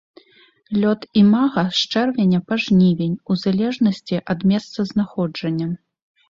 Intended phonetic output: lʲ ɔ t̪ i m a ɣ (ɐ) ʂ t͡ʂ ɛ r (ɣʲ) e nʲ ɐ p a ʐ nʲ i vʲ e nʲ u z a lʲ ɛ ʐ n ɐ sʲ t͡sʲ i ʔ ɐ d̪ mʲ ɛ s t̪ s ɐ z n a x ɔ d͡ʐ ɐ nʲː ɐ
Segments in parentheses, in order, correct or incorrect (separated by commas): correct, incorrect